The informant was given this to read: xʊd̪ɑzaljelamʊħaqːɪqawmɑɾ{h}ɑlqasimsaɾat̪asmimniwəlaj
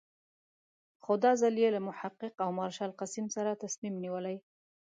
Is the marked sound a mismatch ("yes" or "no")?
yes